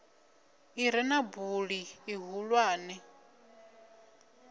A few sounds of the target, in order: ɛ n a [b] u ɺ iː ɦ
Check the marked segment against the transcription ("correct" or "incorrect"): correct